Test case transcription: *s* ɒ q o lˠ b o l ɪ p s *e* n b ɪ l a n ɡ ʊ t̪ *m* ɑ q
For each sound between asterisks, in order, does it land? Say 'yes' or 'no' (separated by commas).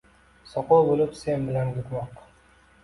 yes, yes, yes